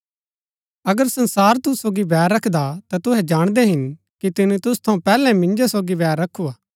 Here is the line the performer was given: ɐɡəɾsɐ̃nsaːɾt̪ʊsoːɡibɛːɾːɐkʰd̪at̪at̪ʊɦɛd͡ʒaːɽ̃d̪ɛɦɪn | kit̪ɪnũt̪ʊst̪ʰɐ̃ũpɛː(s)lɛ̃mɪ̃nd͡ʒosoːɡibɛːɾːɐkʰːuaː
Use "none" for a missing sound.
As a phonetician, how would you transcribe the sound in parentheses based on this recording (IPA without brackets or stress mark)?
none